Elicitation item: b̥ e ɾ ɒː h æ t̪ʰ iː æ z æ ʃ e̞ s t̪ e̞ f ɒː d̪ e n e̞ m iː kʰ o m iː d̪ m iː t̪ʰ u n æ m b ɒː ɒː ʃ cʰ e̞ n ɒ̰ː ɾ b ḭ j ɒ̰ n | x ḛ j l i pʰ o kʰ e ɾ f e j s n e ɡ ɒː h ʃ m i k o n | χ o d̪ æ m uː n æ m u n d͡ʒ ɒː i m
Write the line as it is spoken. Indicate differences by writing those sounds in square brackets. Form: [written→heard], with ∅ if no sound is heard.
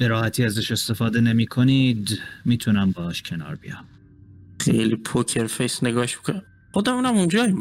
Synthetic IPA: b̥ e ɾ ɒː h æ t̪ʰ iː æ z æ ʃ e̞ s t̪ e̞ f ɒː d̪ e n e̞ m iː kʰ o [m→n] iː d̪ m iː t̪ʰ u n æ m b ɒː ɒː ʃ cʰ e̞ n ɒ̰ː ɾ b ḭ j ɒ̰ [n→m] | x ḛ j l i pʰ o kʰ e ɾ f e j s n e ɡ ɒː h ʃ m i k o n | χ o d̪ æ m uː n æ m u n d͡ʒ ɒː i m